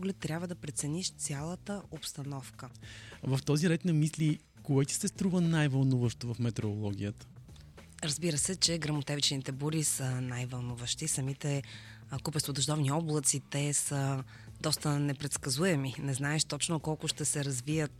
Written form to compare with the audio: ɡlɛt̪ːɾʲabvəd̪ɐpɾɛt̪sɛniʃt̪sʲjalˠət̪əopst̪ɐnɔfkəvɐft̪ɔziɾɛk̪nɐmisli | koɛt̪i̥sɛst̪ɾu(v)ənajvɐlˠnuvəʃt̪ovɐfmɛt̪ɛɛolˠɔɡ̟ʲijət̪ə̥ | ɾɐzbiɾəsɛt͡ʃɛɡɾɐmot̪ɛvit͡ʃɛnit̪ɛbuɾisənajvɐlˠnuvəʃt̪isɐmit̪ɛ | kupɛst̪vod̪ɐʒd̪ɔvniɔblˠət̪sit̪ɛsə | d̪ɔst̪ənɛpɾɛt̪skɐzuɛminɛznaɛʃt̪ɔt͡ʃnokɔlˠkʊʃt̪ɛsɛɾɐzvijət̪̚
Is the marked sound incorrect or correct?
correct